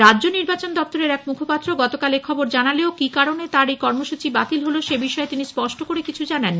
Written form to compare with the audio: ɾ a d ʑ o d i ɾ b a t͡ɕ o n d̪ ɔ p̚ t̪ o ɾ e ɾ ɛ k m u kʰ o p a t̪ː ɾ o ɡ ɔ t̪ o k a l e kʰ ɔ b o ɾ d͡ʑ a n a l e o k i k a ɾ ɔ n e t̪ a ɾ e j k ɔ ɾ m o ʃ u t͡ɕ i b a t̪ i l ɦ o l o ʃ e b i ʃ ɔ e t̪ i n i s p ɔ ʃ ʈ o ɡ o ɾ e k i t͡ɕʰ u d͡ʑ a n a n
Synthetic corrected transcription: ɾ a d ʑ o n i ɾ b a t͡ɕ o n d̪ ɔ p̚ t̪ o ɾ e ɾ ɛ k m u kʰ o p a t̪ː ɾ o ɡ ɔ t̪ o k a l e kʰ ɔ b o ɾ d͡ʑ a n a l e o k i k a ɾ o n e t̪ a ɾ e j k ɔ ɾ m o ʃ u t͡ɕ i b a t̪ i l ɦ o l o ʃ e b i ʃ ɔ e t̪ i n i s p ɔ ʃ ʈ o k o ɾ e k i t͡ɕʰ u d͡ʑ a n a n